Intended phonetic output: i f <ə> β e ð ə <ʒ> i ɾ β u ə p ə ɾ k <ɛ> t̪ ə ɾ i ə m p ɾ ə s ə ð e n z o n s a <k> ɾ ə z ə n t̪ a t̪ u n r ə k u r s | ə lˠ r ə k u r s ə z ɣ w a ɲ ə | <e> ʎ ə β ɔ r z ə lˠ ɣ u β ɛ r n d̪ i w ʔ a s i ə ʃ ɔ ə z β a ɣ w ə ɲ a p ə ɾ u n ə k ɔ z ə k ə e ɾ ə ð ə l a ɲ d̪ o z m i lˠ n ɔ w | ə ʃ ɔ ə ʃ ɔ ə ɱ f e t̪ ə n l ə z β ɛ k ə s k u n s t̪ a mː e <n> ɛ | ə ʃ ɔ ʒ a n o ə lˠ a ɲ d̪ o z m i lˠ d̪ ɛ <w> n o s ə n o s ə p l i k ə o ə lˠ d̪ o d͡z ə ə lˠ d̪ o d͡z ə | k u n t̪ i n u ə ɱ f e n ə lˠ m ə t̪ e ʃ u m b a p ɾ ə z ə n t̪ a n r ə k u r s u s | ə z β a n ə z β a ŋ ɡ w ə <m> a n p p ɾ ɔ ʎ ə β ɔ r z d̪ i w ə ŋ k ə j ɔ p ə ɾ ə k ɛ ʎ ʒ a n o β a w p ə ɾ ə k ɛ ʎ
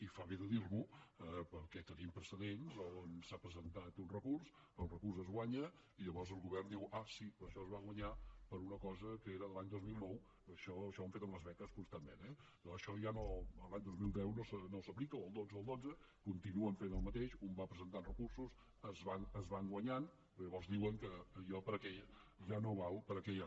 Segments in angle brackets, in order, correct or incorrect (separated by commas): incorrect, incorrect, correct, incorrect, incorrect, correct, correct, incorrect